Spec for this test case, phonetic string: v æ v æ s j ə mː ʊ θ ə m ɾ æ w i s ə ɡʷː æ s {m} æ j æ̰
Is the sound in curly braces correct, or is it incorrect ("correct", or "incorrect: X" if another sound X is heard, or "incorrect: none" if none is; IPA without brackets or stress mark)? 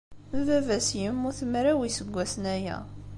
incorrect: n